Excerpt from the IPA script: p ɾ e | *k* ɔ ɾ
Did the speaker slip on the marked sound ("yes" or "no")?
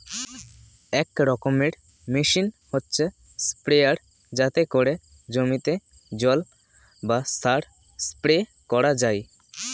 no